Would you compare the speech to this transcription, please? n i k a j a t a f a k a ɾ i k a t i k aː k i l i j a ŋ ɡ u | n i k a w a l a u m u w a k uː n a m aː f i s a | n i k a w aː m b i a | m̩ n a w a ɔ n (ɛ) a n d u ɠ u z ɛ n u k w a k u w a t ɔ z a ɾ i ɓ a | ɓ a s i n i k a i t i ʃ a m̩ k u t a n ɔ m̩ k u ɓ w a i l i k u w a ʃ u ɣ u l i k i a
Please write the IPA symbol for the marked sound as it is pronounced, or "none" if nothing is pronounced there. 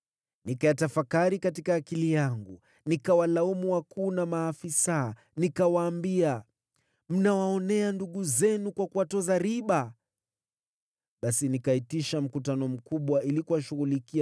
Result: ɛ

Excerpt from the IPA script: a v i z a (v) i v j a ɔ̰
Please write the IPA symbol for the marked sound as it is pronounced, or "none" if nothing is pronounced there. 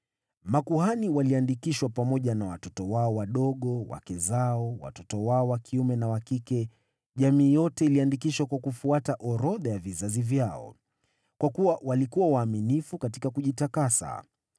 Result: z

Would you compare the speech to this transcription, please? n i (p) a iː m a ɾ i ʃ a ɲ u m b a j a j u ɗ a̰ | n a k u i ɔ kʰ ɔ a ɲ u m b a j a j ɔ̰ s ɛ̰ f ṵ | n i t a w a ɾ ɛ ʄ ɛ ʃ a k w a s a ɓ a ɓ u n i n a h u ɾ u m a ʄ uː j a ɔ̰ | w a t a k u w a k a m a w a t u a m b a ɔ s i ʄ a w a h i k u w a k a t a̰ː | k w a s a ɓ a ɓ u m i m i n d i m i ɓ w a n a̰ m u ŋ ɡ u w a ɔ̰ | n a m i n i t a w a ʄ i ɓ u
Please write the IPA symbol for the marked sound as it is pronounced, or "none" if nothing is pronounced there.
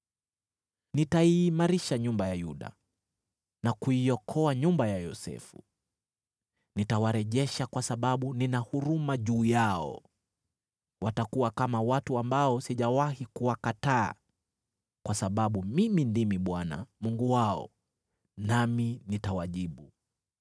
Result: t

